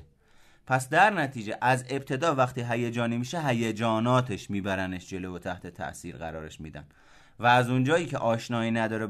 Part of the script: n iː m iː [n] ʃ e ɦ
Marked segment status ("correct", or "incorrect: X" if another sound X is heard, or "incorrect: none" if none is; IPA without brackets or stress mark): incorrect: none